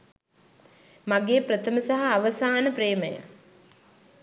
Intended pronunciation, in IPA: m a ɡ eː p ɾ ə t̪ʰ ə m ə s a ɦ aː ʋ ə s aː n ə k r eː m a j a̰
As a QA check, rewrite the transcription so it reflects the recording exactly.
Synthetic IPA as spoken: m a ɡ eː p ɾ ə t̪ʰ ə m ə s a ɦ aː ʋ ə s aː n ə p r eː m ə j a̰